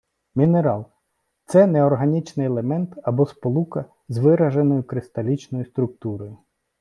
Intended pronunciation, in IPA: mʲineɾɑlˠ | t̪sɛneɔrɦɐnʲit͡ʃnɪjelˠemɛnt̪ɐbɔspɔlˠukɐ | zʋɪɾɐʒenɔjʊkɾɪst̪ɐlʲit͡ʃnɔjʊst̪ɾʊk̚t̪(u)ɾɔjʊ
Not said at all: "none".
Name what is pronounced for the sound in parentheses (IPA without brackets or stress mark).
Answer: u